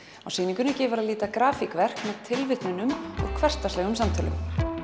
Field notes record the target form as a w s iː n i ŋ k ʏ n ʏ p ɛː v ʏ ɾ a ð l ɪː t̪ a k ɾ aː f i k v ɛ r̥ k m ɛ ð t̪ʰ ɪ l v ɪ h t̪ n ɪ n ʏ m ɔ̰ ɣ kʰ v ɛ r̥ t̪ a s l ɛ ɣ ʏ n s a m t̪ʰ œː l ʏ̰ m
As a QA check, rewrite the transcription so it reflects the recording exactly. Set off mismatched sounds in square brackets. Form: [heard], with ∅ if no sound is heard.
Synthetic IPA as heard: a w s iː n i ŋ k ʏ n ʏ [c] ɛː v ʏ ɾ a ð l [iː] t̪ a k ɾ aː f i k v ɛ r̥ k m ɛ ð t̪ʰ ɪ l v ɪ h t̪ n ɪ n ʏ m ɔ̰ ɣ kʰ v ɛ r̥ t̪ a s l ɛ ɣ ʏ [m] s a m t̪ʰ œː l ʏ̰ m